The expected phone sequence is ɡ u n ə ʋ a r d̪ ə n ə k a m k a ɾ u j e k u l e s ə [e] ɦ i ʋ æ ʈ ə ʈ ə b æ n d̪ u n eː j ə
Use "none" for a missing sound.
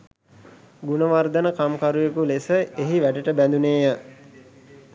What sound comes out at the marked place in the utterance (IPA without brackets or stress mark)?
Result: e